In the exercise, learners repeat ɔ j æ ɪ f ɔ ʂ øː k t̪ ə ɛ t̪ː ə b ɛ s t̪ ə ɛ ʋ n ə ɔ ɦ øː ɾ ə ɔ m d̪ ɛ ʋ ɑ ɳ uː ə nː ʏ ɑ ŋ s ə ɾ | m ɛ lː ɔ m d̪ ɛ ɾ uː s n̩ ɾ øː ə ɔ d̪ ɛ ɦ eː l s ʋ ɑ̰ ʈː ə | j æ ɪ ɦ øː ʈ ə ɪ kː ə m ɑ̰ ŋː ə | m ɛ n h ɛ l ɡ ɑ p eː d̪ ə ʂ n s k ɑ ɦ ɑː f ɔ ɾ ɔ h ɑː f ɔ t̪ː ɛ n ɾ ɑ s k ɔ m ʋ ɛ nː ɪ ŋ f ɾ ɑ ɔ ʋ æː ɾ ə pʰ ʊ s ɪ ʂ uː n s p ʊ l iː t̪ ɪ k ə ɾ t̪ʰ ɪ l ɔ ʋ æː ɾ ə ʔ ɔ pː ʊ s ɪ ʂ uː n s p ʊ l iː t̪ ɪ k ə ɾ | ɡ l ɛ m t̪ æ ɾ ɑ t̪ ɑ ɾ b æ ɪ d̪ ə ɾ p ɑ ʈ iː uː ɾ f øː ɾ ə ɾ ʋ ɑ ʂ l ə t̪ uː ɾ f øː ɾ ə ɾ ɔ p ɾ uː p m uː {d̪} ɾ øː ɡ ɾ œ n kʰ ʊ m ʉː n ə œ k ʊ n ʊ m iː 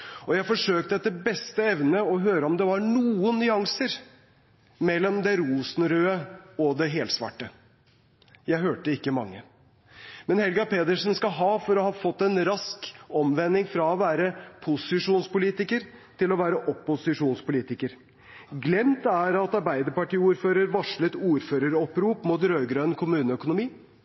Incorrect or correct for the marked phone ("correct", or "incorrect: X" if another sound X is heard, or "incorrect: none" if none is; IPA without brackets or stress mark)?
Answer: incorrect: t̪